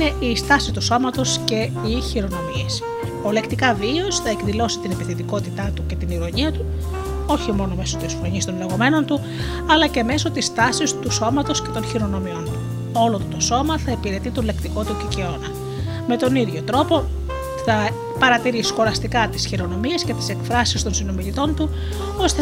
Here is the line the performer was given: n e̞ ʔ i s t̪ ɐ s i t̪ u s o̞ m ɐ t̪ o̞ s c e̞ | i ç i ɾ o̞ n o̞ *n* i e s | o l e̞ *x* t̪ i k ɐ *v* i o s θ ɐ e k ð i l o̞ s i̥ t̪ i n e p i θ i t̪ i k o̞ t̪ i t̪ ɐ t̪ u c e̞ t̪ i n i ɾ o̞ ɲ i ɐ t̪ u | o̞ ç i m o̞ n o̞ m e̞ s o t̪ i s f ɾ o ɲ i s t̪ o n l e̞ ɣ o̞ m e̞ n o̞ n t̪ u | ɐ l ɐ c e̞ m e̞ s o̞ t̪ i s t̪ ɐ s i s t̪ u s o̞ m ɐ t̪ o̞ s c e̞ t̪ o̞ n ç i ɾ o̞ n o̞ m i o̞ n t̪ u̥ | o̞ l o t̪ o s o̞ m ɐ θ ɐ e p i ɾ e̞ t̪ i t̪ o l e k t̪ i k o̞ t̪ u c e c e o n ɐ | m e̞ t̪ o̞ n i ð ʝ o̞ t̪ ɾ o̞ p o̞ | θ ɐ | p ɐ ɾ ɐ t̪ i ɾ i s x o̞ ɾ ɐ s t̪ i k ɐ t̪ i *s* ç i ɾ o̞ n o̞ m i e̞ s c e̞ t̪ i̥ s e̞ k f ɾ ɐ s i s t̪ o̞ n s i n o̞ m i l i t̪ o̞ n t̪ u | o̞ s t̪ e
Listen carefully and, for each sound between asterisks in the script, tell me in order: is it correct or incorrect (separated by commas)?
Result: incorrect, incorrect, correct, correct